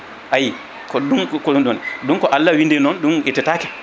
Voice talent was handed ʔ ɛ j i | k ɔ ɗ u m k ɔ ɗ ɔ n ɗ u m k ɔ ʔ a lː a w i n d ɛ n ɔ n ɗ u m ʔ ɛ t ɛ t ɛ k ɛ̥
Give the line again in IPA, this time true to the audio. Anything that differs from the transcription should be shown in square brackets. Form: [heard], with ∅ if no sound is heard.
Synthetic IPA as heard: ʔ [a] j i | k ɔ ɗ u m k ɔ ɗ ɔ n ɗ u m k ɔ ʔ a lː a w i n d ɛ n ɔ n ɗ u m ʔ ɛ t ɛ t [a] k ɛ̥